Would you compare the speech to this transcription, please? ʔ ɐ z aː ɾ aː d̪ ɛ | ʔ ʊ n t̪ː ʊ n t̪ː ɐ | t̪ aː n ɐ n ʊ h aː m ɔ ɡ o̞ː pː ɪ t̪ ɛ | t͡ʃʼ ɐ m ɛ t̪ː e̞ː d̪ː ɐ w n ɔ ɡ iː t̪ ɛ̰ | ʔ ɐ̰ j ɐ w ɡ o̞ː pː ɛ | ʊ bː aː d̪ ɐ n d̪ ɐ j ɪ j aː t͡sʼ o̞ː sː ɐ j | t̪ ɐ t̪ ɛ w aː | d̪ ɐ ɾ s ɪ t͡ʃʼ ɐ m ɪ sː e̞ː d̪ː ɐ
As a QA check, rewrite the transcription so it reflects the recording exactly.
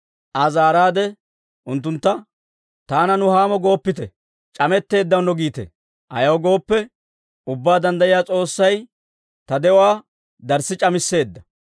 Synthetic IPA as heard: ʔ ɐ z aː ɾ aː d̪ ɛ | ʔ ʊ n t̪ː ʊ n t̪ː ɐ | t̪ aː n ɐ n ʊ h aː m ɔ ɡ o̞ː pː ɪ t̪ ɛ | t͡ʃʼ ɐ m ɛ t̪ː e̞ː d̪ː ɐ w n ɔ ɡ iː t̪ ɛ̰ | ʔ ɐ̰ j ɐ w ɡ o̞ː pː ɛ | ʊ bː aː d̪ ɐ n d̪ ɐ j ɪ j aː t͡sʼ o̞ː sː ɐ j | t̪ ɐ d̪ ɛ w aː | d̪ ɐ ɾ s ɪ t͡ʃʼ ɐ m ɪ sː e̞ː d̪ː ɐ